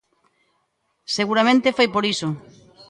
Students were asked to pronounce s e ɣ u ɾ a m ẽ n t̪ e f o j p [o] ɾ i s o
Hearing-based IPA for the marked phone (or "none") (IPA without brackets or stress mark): o